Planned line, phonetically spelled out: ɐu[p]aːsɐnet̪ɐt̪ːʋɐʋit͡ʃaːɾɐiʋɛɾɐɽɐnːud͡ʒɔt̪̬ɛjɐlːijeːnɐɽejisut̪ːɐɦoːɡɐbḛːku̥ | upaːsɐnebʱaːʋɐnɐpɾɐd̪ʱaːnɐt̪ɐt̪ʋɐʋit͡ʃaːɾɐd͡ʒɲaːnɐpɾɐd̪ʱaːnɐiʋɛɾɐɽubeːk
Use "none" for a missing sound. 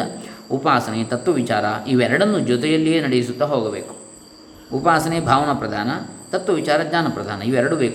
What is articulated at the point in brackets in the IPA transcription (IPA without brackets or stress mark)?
p